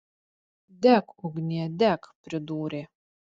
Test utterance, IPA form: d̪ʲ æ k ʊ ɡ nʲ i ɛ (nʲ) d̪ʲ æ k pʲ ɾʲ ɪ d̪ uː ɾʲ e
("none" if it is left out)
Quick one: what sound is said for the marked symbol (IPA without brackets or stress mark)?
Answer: none